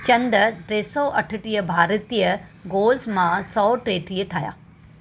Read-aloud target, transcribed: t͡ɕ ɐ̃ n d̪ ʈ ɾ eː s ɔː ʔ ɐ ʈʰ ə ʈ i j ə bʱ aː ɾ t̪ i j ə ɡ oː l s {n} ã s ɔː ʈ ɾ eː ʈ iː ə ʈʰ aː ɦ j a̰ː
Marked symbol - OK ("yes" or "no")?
no